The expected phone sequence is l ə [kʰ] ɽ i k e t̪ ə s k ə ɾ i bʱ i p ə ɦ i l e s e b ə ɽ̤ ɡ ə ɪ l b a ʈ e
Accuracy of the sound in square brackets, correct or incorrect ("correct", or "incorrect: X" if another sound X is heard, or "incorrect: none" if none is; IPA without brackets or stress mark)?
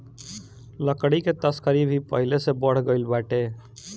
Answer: incorrect: k